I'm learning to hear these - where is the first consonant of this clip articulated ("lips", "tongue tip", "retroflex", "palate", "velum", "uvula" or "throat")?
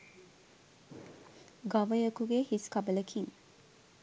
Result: velum